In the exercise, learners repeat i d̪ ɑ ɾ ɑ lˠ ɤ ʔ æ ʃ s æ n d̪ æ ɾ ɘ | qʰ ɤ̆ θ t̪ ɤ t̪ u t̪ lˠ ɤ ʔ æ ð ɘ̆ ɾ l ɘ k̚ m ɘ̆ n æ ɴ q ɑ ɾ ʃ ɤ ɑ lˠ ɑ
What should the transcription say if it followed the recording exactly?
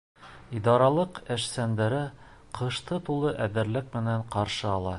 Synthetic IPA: i d̪ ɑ ɾ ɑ lˠ ɤ q æ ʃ s æ n d̪ æ ɾ ɘ | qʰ ɤ̆ ʃ t̪ ɤ t̪ u lˠ ɤ ʔ æ ð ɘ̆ ɾ l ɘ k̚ m ɘ̆ n æ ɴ q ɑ ɾ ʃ ɤ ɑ lˠ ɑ

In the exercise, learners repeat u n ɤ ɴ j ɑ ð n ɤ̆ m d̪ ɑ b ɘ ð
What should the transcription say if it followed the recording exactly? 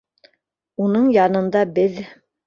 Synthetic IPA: u n ɤ ɴ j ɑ n ɤ̆ n d̪ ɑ b ɘ ð

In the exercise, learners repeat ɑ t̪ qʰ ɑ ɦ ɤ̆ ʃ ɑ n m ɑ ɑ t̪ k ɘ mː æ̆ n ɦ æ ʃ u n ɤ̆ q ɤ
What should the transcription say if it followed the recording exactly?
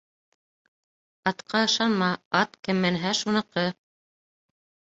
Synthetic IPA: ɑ t̪ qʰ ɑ ɤ̆ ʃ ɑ n m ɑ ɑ t̪ k ɘ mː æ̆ n ɦ æ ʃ u n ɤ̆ q ɤ

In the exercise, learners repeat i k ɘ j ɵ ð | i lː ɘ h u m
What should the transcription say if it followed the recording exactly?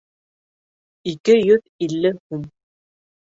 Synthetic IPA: i k ɘ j ɵ ð | i lː ɘ h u m

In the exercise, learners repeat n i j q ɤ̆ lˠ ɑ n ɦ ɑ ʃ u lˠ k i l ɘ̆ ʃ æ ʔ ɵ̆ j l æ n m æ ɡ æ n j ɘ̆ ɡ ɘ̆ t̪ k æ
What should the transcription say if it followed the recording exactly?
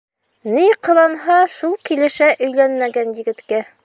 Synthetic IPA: n i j q ɤ̆ lˠ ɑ n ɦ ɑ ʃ u lˠ k i l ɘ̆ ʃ æ ʔ ɵ̆ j l æ n m æ ɡ æ n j ɘ̆ ɡ ɘ̆ t̪ k æ

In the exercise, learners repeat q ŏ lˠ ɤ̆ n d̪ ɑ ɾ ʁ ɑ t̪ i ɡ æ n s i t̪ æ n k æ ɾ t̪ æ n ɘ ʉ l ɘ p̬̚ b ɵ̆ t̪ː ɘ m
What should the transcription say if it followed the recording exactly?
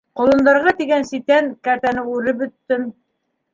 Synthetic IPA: q ŏ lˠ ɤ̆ n d̪ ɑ ɾ ʁ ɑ t̪ i ɡ æ n s i t̪ æ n k æ ɾ t̪ æ n ɘ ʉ ɾ ɘ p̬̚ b ɵ̆ t̪ː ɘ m

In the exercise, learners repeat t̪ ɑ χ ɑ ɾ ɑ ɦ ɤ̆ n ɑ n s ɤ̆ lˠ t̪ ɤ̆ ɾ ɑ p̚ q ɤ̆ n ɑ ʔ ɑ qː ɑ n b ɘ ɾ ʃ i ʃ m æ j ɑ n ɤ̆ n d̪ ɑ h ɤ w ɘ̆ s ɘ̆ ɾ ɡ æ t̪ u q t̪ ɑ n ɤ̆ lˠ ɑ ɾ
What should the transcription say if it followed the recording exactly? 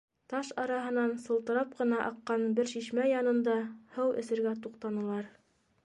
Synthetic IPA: t̪ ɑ ʃ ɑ ɾ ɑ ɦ ɤ̆ n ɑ n s ɤ̆ lˠ t̪ ɤ̆ ɾ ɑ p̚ q ɤ̆ n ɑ ʔ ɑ qː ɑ n b ɘ ɾ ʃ i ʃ m æ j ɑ n ɤ̆ n d̪ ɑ h ɤ w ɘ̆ s ɘ̆ ɾ ɡ æ t̪ u q t̪ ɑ n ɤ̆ lˠ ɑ ɾ

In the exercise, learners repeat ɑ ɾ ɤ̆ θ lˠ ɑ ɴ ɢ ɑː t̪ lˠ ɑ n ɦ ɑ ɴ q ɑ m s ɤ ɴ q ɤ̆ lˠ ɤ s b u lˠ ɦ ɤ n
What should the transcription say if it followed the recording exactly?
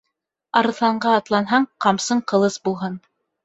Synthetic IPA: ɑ ɾ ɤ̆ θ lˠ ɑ ɴ ɢ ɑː t̪ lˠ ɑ n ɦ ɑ ɴ q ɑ m s ɤ ɴ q ɤ̆ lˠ ɤ s b u lˠ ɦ ɤ n

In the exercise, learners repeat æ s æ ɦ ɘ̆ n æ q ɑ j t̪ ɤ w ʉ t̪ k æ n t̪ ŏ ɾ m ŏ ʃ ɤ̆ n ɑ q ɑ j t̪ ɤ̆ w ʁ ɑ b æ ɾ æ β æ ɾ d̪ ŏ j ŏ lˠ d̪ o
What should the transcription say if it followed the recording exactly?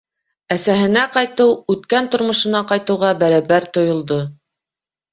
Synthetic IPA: æ s æ ɦ ɘ̆ n æ q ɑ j t̪ ɤ w ʉ t̪ k æ n t̪ ŏ ɾ m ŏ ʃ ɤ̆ n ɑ q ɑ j t̪ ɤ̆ w ʁ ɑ b æ ɾ æ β æ ɾ t̪ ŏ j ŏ lˠ d̪ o

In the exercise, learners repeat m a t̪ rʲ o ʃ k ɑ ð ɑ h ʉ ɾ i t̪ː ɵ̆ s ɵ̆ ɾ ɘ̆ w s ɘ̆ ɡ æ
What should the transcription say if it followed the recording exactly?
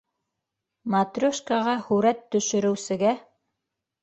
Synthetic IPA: m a t̪ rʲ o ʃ k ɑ ʁ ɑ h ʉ ɾ æ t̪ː ɵ̆ ʃ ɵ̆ ɾ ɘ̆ w s ɘ̆ ɡ æ

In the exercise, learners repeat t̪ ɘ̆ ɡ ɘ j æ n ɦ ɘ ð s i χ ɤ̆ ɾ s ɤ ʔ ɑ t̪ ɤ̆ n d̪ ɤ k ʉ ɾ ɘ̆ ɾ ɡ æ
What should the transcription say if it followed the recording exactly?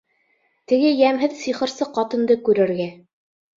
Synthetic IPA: t̪ ɘ̆ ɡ ɘ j æ m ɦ ɘ ð s i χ ɤ̆ ɾ s ɤ q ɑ t̪ ɤ̆ n d̪ ɤ k ʉ ɾ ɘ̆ ɾ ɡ æ

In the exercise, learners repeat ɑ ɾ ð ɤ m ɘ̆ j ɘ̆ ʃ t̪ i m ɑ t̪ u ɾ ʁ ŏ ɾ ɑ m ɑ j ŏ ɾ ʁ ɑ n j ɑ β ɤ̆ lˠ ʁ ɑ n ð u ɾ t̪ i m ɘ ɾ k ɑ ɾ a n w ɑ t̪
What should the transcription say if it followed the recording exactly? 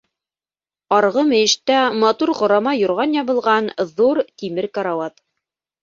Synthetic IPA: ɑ ɾ ʁ ɤ m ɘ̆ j ɘ̆ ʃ t̪ æ m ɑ t̪ u ɾ ʁ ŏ ɾ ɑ m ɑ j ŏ ɾ ʁ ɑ n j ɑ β ɤ̆ lˠ ʁ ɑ n ð u ɾ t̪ i m ɘ ɾ k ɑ ɾ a w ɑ t̪

